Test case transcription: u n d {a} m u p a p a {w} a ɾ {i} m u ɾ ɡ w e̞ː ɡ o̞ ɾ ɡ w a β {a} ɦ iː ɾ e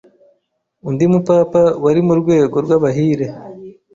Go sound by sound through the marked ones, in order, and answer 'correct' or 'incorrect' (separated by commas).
incorrect, correct, correct, correct